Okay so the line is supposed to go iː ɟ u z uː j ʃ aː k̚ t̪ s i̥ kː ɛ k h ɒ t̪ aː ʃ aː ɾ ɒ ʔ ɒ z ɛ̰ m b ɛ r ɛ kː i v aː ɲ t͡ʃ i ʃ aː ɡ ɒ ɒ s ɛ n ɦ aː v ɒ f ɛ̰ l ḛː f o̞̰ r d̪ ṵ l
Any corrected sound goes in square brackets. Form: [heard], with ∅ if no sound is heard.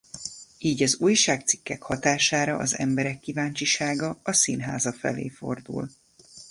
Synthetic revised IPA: iː ɟ [ɒ] z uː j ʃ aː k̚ t̪ s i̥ kː ɛ k h ɒ t̪ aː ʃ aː ɾ ɒ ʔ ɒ z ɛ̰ m b ɛ [ɾ] ɛ kː i v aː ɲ t͡ʃ i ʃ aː ɡ ɒ ɒ s [i] n ɦ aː [z] ɒ f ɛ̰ l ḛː f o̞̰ r d̪ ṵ l

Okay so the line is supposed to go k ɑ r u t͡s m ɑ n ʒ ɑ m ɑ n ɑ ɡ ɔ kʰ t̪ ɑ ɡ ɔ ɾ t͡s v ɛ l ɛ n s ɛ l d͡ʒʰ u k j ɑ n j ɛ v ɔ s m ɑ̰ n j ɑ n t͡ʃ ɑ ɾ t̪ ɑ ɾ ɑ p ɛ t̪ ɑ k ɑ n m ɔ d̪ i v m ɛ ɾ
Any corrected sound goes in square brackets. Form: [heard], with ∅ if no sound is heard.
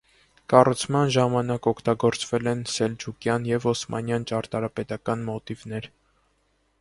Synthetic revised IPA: k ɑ r u [t͡sʰ] m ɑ n ʒ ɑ m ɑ n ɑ [k] ɔ kʰ t̪ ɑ ɡ ɔ ɾ t͡s v ɛ l ɛ n s ɛ l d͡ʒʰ u k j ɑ n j ɛ v ɔ s m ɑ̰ n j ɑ n t͡ʃ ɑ ɾ t̪ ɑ ɾ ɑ p ɛ t̪ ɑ k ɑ n m ɔ [t̪] i v [n] ɛ ɾ

